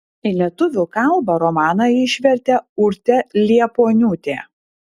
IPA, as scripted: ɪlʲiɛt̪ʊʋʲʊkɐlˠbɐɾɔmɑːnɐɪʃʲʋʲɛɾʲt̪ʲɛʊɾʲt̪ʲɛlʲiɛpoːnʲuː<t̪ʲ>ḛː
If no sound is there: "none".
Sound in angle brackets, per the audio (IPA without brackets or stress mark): t̪ʲ